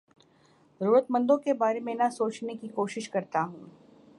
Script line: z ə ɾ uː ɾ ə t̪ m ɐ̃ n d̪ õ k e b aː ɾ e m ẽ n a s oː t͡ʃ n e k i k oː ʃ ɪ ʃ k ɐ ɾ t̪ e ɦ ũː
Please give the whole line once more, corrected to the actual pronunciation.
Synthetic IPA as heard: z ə ɾ uː ɾ ə t̪ m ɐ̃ n d̪ õ k e b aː ɾ e m ẽ n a s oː t͡ʃ n e k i k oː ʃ ɪ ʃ k ɐ ɾ t̪ a ɦ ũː